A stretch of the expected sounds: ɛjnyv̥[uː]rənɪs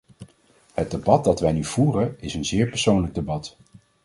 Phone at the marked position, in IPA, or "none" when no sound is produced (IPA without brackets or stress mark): uː